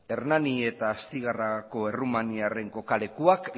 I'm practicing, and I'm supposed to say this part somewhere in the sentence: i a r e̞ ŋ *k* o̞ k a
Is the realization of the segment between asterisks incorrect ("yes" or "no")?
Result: no